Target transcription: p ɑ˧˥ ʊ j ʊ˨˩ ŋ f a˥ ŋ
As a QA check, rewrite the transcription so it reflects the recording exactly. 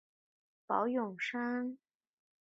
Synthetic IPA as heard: p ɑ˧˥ ʊ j ʊ˨˩ ŋ ʂ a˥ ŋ